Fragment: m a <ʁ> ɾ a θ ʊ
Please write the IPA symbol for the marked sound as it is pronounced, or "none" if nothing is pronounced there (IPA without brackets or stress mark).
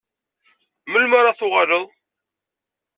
none